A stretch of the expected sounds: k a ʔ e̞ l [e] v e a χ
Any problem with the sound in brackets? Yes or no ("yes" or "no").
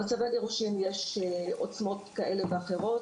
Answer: no